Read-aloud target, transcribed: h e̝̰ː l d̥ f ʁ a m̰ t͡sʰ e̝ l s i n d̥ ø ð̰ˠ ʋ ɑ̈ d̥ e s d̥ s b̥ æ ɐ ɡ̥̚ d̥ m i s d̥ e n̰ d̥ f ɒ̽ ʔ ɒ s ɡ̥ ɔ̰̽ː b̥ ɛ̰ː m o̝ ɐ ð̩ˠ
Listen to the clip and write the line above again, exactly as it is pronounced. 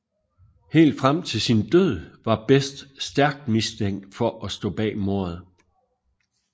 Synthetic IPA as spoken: h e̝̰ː l d̥ f ʁ a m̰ t͡sʰ e̝ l s i n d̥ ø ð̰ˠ ʋ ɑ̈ b̥ e s d̥ s d̥ æ ɐ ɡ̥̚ d̥ m i s d̥ e ŋ̰ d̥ f ɒ̽ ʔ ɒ s d̥ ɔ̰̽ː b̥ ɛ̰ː m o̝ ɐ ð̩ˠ